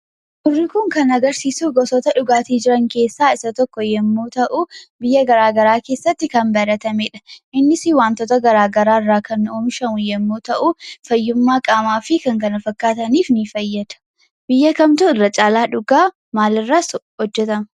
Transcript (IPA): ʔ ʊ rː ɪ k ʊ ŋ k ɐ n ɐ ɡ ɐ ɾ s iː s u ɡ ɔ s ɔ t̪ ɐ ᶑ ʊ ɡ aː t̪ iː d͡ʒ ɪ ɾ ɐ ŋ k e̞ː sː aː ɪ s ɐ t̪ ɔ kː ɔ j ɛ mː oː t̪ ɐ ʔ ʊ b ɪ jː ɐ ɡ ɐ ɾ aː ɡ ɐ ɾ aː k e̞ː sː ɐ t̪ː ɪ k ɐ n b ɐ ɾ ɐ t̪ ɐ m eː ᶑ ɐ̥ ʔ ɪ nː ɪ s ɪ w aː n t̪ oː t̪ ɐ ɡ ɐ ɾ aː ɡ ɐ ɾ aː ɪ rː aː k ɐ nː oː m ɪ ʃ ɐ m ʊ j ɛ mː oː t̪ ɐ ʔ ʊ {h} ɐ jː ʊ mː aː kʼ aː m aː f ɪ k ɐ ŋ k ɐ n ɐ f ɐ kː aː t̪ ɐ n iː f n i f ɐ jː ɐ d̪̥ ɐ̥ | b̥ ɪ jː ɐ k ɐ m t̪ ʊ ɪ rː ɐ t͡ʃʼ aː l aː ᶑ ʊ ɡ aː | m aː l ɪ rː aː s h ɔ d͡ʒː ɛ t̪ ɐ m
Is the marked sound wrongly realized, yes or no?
yes